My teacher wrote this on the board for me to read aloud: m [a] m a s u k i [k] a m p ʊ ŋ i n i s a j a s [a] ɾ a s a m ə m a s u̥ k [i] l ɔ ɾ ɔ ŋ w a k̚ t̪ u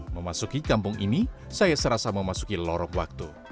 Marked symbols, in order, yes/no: no, yes, no, yes

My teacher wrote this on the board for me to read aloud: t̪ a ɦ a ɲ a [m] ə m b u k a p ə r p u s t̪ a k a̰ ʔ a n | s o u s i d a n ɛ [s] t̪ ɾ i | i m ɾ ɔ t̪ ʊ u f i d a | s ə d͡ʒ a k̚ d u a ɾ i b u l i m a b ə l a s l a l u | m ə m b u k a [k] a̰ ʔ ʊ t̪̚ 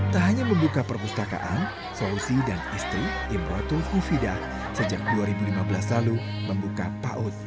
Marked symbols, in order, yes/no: yes, yes, no

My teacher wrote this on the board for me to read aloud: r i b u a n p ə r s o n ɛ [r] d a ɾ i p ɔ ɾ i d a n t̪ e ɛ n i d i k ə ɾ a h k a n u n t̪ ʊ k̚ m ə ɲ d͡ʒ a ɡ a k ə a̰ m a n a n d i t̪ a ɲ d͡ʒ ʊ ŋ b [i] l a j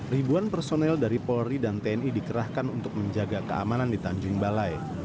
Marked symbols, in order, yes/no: no, no

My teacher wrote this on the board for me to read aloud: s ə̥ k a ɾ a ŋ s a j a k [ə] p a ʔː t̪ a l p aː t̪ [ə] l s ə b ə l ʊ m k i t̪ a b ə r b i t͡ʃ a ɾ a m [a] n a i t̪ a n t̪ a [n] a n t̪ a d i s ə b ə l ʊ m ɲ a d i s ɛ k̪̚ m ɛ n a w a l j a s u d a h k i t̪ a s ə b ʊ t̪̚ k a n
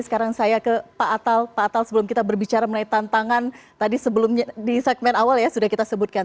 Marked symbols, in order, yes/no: yes, no, no, no

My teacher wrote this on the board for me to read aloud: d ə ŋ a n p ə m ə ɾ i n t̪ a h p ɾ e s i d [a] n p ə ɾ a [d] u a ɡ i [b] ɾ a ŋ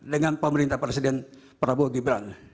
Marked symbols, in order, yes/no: no, no, yes

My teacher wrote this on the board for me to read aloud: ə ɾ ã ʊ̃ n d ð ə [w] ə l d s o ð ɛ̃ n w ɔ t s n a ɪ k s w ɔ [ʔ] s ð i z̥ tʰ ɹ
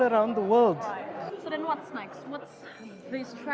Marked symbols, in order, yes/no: yes, no

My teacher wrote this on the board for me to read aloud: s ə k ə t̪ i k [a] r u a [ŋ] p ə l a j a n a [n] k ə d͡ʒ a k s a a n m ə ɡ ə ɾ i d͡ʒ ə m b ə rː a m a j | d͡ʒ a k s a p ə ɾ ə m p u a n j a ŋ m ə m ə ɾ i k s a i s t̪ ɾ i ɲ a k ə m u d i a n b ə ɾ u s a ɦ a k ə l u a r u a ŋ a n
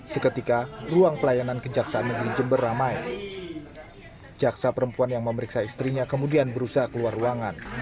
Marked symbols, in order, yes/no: yes, yes, yes

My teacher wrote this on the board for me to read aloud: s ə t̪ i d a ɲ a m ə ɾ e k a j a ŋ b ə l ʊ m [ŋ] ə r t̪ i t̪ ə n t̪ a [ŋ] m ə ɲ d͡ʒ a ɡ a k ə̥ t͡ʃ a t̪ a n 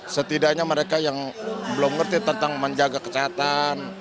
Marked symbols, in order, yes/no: yes, yes

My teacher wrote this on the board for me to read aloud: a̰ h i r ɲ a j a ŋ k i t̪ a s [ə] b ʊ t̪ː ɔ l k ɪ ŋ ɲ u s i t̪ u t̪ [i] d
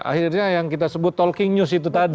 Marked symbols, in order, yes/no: yes, no

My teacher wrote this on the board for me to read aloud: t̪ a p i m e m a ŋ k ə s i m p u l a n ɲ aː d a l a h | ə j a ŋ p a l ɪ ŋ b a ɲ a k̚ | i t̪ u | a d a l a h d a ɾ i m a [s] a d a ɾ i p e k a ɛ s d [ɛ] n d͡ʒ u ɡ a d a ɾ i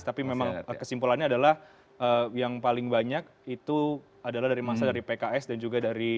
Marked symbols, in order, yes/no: yes, no

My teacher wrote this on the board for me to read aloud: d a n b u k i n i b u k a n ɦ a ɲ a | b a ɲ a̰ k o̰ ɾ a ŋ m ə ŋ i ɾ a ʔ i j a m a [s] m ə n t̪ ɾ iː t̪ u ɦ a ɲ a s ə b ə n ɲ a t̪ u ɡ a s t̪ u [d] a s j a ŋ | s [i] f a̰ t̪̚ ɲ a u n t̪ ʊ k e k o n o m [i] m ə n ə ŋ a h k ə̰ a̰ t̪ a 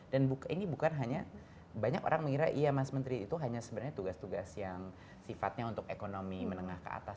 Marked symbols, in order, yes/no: yes, no, yes, yes

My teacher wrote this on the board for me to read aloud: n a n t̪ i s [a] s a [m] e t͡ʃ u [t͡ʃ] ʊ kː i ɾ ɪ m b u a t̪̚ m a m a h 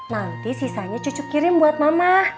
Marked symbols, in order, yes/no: no, no, yes

